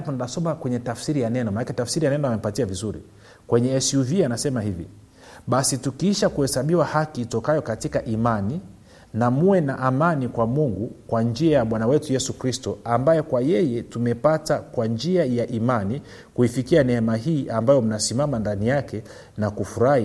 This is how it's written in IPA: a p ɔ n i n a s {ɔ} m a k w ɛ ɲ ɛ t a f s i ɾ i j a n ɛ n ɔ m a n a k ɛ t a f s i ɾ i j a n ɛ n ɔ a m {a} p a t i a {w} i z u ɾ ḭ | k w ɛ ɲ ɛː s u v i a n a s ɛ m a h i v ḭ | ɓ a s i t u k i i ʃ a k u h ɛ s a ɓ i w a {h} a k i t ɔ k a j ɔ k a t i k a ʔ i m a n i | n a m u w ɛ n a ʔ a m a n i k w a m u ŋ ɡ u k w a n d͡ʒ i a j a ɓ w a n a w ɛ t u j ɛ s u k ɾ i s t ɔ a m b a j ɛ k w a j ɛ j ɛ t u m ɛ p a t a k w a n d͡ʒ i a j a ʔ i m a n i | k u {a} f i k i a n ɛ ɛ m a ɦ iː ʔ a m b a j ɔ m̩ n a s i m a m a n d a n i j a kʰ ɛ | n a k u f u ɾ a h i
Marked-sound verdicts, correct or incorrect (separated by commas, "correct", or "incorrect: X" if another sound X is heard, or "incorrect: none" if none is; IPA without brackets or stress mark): correct, incorrect: ɛ, incorrect: v, correct, incorrect: i